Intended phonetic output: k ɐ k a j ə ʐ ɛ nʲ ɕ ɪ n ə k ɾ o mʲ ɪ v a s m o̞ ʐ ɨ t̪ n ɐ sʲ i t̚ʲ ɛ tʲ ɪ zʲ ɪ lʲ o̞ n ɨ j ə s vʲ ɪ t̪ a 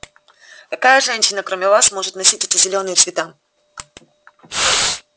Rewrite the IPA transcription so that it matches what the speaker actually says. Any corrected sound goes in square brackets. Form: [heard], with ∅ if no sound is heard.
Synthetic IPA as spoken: k ɐ k a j ə ʐ ɛ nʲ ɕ ɪ n ə k ɾ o mʲ ɪ v a s m o̞ ʐ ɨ t̪ n ɐ sʲ i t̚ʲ ɛ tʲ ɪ zʲ ɪ lʲ o̞ n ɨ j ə s vʲ ɪ t̪ a